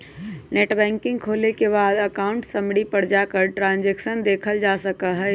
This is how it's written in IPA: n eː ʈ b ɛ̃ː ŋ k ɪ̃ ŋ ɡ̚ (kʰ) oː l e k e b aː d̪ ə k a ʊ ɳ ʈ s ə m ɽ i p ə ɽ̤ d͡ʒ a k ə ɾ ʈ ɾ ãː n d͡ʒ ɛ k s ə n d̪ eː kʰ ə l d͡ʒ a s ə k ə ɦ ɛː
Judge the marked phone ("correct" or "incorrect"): correct